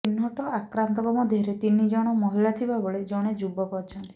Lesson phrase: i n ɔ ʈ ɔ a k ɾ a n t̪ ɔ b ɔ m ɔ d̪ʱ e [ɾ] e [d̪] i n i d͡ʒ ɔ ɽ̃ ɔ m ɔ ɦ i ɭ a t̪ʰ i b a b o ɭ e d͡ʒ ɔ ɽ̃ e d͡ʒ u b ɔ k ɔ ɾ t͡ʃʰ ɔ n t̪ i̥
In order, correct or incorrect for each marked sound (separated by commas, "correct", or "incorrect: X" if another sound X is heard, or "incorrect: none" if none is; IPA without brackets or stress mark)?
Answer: correct, incorrect: t̪